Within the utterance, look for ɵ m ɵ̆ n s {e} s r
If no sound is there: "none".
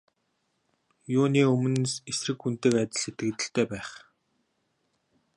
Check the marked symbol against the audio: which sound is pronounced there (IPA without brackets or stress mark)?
e